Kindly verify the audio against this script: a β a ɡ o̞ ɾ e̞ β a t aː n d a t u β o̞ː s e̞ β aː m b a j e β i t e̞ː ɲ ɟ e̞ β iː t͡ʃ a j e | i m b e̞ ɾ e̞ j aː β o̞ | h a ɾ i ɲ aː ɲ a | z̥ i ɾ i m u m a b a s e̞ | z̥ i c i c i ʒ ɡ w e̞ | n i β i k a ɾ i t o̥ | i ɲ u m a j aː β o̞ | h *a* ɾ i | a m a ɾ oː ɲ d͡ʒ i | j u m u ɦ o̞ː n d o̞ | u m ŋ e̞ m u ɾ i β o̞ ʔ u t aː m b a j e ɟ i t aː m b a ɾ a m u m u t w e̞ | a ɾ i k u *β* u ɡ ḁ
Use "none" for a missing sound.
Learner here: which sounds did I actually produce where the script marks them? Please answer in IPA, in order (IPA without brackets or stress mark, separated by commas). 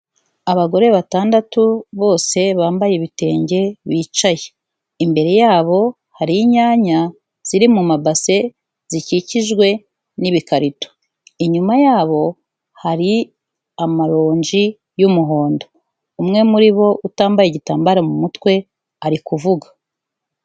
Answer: a, v